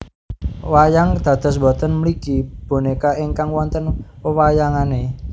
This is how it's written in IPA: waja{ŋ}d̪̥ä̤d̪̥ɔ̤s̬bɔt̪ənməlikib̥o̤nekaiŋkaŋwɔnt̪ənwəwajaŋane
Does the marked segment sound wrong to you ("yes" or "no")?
no